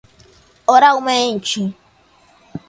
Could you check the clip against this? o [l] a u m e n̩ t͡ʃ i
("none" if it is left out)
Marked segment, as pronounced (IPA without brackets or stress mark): ɾ